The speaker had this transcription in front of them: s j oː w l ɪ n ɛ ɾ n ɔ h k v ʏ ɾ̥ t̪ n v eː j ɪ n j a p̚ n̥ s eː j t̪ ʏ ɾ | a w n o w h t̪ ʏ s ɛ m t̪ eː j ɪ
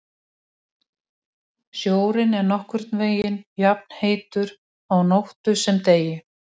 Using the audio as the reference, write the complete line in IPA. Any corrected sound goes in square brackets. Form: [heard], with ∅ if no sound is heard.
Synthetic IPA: s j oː w [ɾ] ɪ n ɛ ɾ n ɔ h k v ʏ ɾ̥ t̪ n v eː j ɪ n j a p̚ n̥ [h] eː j t̪ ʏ ɾ | a w n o w h t̪ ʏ s ɛ m t̪ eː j ɪ